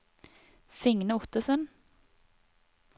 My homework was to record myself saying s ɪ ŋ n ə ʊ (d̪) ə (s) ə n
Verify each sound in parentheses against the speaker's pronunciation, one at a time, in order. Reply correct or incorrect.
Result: incorrect, correct

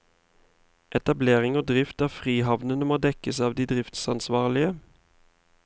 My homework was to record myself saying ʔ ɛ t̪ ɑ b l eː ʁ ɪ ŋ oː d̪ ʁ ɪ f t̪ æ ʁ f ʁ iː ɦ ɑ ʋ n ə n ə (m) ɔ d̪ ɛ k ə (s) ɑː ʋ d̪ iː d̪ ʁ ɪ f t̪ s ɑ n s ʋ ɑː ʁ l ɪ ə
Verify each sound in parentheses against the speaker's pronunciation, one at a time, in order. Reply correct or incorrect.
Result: correct, correct

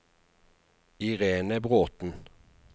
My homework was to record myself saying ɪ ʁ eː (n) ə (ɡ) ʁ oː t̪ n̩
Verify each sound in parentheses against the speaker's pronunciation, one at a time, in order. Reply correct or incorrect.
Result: correct, incorrect

